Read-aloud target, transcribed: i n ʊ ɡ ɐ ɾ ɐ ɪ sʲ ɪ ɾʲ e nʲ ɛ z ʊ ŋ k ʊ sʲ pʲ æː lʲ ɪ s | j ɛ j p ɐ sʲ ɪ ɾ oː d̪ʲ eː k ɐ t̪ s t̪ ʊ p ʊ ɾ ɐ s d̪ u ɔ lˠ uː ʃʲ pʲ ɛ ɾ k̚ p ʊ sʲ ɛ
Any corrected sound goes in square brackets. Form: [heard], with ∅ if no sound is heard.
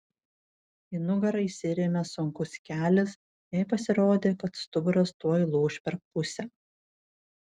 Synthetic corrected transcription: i n ʊ ɡ ɐ ɾ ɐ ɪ sʲ ɪ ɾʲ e [mʲ] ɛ [s] ʊ ŋ k ʊ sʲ [kʲ] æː lʲ ɪ s | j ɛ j p ɐ sʲ ɪ ɾ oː d̪ʲ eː k ɐ t̪ s t̪ ʊ [b] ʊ ɾ ɐ s [t̪] u ɔ lˠ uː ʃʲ pʲ ɛ ɾ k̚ p ʊ sʲ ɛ

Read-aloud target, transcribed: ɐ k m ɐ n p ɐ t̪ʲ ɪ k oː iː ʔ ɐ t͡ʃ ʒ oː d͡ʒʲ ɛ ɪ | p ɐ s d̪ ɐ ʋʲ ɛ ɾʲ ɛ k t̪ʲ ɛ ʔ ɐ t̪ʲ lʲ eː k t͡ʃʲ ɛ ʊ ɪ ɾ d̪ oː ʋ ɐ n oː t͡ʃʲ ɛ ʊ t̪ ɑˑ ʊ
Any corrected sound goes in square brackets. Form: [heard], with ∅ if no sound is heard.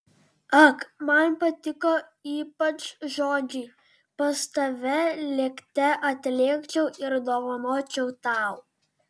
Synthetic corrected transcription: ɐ k m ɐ n p ɐ t̪ʲ ɪ k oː iː [p] ɐ t͡ʃ ʒ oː d͡ʒʲ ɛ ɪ | p ɐ s [t̪] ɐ ʋʲ ɛ [lʲ] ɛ k t̪ʲ ɛ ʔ ɐ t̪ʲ lʲ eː k t͡ʃʲ ɛ ʊ ɪ ɾ d̪ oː ʋ ɐ n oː t͡ʃʲ ɛ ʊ t̪ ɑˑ ʊ

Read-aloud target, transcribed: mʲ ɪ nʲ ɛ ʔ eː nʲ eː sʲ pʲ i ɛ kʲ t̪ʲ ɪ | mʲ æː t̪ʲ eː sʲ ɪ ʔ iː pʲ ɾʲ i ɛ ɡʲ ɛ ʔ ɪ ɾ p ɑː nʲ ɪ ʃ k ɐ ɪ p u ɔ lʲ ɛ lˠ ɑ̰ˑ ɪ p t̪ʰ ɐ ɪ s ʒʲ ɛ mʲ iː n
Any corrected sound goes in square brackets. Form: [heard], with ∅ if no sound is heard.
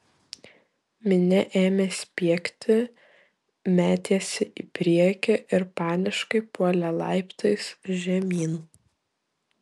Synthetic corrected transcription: mʲ ɪ nʲ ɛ ʔ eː [mʲ] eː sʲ pʲ i ɛ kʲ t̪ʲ ɪ | mʲ æː t̪ʲ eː sʲ ɪ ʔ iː pʲ ɾʲ i ɛ [kʲ] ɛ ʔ ɪ ɾ p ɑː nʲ ɪ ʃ k ɐ ɪ p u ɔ lʲ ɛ lˠ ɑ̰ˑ ɪ p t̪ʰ ɐ ɪ s ʒʲ ɛ mʲ iː n

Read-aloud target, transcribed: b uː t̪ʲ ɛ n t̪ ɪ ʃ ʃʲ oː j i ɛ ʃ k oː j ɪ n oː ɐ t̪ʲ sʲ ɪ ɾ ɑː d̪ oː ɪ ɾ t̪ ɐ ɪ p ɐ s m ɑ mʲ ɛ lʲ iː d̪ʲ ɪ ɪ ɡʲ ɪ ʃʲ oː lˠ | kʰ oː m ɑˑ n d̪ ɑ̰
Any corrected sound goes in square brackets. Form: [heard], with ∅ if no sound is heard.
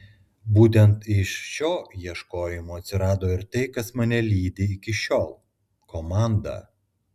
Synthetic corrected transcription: b uː t̪ʲ ɛ n t̪ ɪ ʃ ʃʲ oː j i ɛ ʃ k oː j ɪ [m] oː ɐ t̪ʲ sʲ ɪ ɾ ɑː d̪ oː ɪ ɾ t̪ ɐ ɪ [k] ɐ s m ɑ [nʲ] ɛ lʲ iː d̪ʲ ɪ ɪ [kʲ] ɪ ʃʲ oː lˠ | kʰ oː m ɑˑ n d̪ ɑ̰

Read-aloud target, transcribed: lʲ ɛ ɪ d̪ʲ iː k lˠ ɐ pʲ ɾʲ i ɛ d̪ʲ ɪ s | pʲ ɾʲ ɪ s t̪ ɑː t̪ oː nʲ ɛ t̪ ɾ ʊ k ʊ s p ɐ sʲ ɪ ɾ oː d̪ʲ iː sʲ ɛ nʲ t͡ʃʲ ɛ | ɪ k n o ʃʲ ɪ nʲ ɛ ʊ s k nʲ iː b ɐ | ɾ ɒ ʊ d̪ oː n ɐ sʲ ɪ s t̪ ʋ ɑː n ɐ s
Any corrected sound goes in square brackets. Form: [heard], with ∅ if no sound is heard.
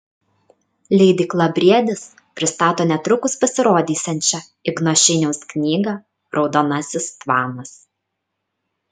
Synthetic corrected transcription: lʲ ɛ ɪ d̪ʲ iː k lˠ ɐ [bʲ] ɾʲ i ɛ d̪ʲ ɪ s | pʲ ɾʲ ɪ s t̪ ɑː t̪ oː nʲ ɛ t̪ ɾ ʊ k ʊ s p ɐ sʲ ɪ ɾ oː d̪ʲ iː sʲ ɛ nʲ t͡ʃʲ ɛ | ɪ [ɡ] n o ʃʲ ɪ nʲ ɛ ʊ s k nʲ iː [ɡ] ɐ | ɾ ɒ ʊ d̪ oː n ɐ sʲ ɪ s t̪ ʋ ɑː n ɐ s

